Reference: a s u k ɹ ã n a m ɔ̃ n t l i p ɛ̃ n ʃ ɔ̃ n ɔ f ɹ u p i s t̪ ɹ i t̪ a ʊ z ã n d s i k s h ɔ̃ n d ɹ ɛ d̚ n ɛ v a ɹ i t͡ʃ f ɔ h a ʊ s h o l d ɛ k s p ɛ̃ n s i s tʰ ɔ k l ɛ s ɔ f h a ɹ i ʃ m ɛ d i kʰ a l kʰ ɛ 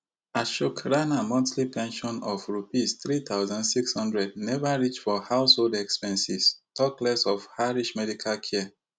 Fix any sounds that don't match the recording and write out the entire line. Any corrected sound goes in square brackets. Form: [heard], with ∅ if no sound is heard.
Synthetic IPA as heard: a [ʃ] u k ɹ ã n a m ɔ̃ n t l i p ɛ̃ n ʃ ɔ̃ n ɔ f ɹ u p i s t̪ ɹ i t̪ a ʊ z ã n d s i k s h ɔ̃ n d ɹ ɛ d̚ n ɛ v a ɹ i t͡ʃ f ɔ h a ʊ s h o l d ɛ k s p ɛ̃ n s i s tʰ ɔ k l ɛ s ɔ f h a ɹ i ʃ m ɛ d i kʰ a l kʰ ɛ